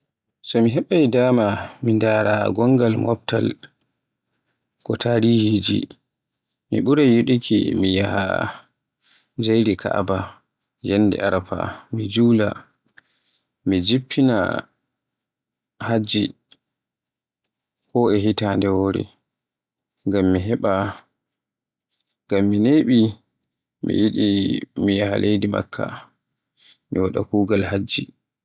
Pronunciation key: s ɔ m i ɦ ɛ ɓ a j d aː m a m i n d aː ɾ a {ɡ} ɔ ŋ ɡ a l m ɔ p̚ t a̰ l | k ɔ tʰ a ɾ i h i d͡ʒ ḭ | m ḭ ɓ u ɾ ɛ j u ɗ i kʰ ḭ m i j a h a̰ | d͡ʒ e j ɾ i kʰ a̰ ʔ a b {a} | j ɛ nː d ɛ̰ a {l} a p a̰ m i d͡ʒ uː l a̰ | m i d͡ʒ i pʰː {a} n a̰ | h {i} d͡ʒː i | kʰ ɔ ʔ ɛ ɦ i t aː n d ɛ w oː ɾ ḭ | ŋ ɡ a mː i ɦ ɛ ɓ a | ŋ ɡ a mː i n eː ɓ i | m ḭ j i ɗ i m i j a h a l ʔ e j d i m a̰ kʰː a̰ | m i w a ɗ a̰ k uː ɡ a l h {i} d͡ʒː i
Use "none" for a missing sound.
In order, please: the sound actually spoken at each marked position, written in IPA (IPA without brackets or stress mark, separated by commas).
ɡ, a, ɾ, i, a, a